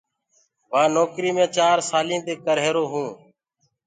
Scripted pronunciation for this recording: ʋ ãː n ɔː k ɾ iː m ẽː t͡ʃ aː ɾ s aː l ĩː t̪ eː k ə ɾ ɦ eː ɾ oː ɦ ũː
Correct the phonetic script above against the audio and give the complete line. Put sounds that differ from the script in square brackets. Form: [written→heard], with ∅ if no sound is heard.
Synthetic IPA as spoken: ʋ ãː n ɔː k ɾ iː m ẽː t͡ʃ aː ɾ s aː l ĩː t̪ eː k ə ɾ ɦ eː ɾ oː ɦ ũː